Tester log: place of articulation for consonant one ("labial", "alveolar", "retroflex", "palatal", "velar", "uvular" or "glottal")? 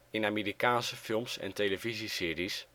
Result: alveolar